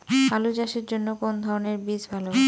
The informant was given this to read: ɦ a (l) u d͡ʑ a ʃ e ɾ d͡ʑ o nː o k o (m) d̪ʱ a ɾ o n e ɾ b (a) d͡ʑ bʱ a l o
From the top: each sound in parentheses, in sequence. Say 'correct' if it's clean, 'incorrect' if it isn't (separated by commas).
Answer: correct, incorrect, incorrect